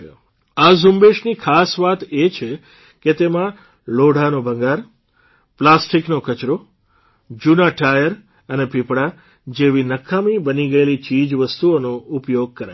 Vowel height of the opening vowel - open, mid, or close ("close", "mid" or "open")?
open